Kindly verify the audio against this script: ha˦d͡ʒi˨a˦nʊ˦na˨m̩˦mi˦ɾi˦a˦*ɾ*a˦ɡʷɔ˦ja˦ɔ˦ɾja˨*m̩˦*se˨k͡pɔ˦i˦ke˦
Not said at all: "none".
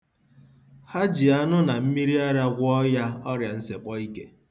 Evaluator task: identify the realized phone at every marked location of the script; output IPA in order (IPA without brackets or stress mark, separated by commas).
ɾ, n̩˦